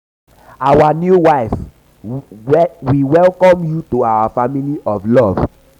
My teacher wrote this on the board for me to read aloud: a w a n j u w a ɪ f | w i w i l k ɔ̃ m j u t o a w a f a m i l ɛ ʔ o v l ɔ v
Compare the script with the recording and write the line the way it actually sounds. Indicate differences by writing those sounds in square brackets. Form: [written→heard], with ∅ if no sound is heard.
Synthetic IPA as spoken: a w a n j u w a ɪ f | w i w [i→ɛ] l k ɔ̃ m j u t o a w a f a m i l [ɛ→i] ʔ [o→ɔ] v l ɔ v